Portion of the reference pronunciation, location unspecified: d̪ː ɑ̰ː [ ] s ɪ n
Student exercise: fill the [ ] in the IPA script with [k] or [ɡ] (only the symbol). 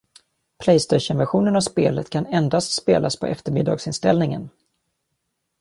ɡ